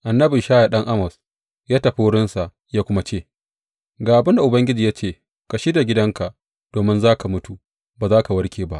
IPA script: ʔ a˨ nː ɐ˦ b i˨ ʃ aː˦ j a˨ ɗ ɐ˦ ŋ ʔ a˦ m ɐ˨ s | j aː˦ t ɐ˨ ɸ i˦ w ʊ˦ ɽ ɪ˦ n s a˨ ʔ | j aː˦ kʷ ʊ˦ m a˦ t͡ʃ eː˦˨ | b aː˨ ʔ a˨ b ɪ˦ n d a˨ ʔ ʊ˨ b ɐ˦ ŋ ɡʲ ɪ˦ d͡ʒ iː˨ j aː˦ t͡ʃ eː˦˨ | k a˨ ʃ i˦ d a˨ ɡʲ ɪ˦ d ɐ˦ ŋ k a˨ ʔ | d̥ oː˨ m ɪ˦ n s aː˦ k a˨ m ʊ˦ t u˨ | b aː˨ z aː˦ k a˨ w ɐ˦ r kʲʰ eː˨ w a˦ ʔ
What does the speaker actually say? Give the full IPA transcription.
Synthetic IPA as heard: ʔ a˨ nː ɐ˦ b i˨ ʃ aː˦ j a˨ ɗ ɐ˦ ŋ ʔ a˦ m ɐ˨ s | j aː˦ t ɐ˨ ɸ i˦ w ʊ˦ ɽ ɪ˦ n s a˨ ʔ | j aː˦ kʷ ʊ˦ m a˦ t͡ʃ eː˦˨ | ɡ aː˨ ʔ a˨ b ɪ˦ n d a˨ ʔ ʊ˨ b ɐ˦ ŋ ɡʲ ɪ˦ d͡ʒ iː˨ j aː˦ t͡ʃ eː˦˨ | k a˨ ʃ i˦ d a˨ ɡʲ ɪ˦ d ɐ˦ ŋ k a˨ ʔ | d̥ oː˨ m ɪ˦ n z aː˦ k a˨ m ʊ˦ t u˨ | b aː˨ z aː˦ k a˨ w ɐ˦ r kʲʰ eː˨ b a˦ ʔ